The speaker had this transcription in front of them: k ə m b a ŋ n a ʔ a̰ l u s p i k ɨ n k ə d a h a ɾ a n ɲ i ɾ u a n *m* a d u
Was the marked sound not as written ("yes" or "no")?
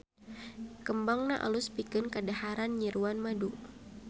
no